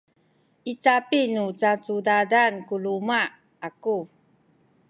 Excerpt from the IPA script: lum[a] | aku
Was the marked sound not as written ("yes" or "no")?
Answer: no